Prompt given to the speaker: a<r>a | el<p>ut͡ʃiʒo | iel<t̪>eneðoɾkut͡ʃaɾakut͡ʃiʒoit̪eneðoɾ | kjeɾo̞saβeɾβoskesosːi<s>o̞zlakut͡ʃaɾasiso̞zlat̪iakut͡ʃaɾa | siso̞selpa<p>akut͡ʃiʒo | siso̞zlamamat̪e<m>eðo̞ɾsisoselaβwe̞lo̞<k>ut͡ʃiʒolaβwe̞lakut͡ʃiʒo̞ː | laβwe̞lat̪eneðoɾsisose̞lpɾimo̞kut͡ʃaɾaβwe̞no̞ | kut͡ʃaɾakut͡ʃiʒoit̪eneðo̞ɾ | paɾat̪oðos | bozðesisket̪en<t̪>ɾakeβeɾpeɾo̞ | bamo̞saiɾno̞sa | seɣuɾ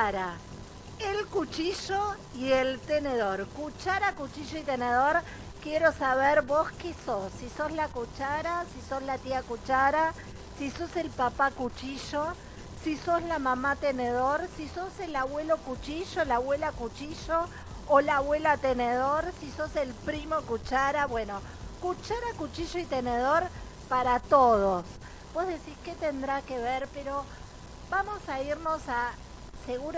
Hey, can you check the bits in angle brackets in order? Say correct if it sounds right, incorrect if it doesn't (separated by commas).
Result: incorrect, incorrect, correct, correct, correct, incorrect, correct, incorrect